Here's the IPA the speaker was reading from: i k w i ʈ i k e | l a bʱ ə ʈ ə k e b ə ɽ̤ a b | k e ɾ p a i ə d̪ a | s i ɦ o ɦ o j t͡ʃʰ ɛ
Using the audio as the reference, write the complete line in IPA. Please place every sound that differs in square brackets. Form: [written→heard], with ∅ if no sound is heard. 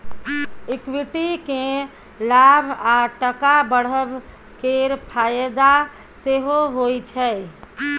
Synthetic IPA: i k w i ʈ i k e | l a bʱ [ə→a] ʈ ə k [e→a] b ə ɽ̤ [a→ə] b | k e ɾ [p→pʰ] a [i→j] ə d̪ a | s [i→e] ɦ o ɦ o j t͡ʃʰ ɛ

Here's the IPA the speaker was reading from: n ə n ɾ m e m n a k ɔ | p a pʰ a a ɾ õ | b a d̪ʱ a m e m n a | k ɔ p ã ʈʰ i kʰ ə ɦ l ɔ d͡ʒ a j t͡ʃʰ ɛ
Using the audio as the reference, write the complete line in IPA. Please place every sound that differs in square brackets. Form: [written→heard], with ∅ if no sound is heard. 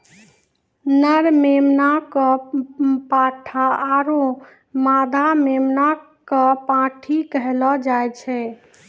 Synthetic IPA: n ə [n→∅] ɾ m e m n a k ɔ | p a [pʰ→ʈʰ] a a ɾ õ | [b→m] a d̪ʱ a m e m n a | k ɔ p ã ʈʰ i [kʰ→k] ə ɦ l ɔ d͡ʒ a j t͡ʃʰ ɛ

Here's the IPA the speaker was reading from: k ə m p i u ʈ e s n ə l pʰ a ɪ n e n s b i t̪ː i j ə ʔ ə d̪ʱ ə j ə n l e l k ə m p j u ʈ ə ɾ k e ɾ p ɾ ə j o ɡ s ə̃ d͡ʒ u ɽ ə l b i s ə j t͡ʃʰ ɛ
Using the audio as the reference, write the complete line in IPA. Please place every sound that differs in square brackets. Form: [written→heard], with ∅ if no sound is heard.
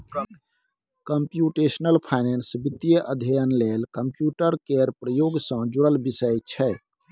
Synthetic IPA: k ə m p [i→j] u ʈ e s n ə l pʰ a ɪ n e n s b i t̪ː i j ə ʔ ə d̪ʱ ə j ə n l e l k ə m p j u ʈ ə ɾ k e ɾ p ɾ ə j o ɡ s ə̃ d͡ʒ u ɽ ə l b i s ə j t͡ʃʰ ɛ

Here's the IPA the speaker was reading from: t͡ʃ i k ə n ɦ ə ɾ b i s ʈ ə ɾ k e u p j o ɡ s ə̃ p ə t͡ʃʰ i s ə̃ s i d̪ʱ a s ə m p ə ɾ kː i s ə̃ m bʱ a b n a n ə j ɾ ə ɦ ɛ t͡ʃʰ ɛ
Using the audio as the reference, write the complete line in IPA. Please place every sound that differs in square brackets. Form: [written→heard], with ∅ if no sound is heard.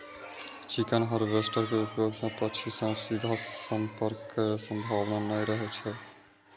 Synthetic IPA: t͡ʃ i k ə n ɦ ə ɾ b [i→e] s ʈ ə ɾ k e u p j o ɡ s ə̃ p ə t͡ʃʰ i s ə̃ s i d̪ʱ a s ə m p ə ɾ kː [i→e] s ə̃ m bʱ a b n a n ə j ɾ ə ɦ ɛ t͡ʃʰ ɛ

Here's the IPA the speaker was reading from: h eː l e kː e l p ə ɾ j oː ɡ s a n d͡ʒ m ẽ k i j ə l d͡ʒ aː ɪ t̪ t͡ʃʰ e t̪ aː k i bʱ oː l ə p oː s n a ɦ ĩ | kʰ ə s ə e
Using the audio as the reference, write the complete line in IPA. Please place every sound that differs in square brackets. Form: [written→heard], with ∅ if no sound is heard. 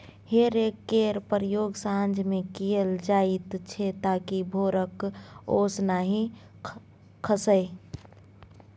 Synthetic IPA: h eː [l→ɾ] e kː e [l→ɾ] p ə ɾ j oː ɡ s a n d͡ʒ m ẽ k i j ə l d͡ʒ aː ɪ t̪ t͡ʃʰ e t̪ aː k i bʱ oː [l→ɾ] ə [p→k] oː s n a ɦ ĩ | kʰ ə s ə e

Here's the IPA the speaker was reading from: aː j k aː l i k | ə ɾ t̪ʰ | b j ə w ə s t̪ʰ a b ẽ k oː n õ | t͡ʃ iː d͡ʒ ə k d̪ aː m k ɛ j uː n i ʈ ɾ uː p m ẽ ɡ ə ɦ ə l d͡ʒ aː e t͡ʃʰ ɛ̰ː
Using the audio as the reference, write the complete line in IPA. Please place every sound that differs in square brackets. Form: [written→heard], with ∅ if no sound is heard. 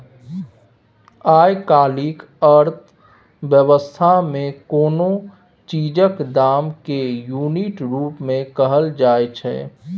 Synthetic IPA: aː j k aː l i k | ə ɾ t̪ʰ | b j ə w ə s t̪ʰ a [b→m] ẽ k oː n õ | t͡ʃ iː d͡ʒ ə k d̪ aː m k [ɛ→e] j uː n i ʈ ɾ uː p m ẽ [ɡ→k] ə ɦ ə l d͡ʒ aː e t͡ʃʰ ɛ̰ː

